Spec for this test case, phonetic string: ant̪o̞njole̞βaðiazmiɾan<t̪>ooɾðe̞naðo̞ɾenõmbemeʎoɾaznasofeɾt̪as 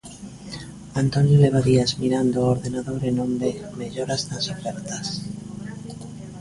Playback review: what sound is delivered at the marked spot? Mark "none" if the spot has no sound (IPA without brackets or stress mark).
d̪